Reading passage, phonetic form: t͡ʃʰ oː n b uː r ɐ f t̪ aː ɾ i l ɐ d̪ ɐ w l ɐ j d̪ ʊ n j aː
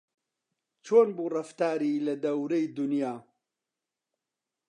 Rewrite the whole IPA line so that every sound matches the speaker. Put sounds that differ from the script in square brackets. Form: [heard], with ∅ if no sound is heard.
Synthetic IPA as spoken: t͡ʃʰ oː n b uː r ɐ f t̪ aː ɾ i l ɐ d̪ ɐ w [ɾ] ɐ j d̪ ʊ n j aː